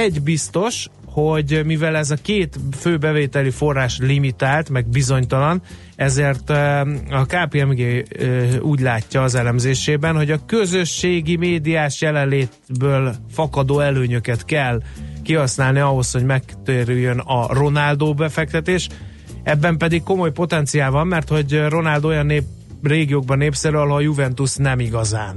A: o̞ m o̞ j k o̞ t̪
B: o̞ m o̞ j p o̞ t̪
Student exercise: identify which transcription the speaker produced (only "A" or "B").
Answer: B